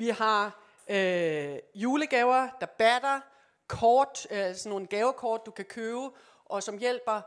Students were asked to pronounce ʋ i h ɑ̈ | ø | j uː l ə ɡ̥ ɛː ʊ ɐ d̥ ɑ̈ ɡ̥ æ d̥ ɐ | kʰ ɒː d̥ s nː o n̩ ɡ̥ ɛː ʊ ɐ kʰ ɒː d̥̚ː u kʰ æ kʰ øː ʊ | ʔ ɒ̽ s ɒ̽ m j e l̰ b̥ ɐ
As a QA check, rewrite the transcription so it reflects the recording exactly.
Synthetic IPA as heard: ʋ i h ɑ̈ | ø | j uː l ə ɡ̥ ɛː ʊ ɐ d̥ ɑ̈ b̥ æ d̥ ɐ | kʰ ɒː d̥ s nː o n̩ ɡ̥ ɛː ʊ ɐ kʰ ɒː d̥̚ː u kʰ æ kʰ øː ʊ | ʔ ɒ̽ s ɒ̽ m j e l̰ b̥ ɐ